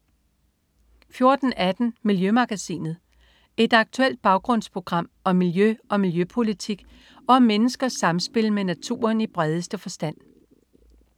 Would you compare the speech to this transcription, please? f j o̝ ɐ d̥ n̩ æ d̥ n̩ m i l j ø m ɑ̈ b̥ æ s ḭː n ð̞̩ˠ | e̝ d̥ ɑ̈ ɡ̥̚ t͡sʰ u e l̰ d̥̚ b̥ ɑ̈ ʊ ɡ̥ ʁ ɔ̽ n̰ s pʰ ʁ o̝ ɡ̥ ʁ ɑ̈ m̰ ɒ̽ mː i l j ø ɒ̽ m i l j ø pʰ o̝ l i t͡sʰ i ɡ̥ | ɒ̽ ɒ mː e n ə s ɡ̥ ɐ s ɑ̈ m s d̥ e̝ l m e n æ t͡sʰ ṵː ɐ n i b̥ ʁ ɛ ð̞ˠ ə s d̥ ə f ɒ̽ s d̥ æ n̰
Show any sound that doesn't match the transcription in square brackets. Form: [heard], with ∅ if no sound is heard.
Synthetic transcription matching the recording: f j o̝ ɐ d̥ n̩ æ d̥ n̩ m i l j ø m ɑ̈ [ɡ̥] æ s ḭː n ð̞̩ˠ | e̝ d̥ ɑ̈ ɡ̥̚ t͡sʰ u e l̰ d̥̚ b̥ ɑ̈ ʊ ɡ̥ ʁ ɔ̽ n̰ s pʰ ʁ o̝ ɡ̥ ʁ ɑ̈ m̰ ɒ̽ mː i l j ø ɒ̽ m i l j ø pʰ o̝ l i t͡sʰ i ɡ̥ | ɒ̽ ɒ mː e n ə s ɡ̥ ɐ s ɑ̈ m s [b̥] e̝ l m e n æ t͡sʰ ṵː ɐ n i b̥ ʁ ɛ ð̞ˠ ə s d̥ ə f ɒ̽ s d̥ æ n̰

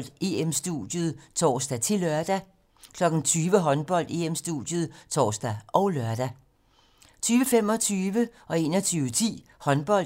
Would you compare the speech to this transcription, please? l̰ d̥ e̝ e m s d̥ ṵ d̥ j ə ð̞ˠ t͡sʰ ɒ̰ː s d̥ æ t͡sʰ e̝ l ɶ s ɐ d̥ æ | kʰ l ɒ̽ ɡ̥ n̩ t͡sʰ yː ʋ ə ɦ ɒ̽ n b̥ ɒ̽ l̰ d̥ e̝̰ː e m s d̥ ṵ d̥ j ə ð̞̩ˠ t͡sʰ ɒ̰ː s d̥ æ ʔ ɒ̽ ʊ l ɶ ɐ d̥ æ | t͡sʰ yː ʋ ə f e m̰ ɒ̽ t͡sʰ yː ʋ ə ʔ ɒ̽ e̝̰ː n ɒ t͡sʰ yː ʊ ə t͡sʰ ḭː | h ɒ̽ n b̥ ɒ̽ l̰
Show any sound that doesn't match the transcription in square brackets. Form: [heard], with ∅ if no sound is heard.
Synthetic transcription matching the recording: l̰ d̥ e̝ e m s d̥ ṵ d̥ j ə ð̞ˠ t͡sʰ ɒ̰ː s d̥ æ t͡sʰ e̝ l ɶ [∅] ɐ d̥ æ | kʰ l ɒ̽ ɡ̥ n̩ t͡sʰ yː ʋ ə ɦ ɒ̽ n b̥ ɒ̽ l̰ d̥ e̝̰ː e m s d̥ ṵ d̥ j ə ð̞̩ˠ t͡sʰ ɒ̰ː s d̥ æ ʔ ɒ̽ ʊ l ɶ ɐ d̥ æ | t͡sʰ yː ʋ ə f e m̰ ɒ̽ t͡sʰ yː ʋ ə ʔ ɒ̽ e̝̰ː n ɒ t͡sʰ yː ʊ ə t͡sʰ ḭː | h ɒ̽ n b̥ ɒ̽ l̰

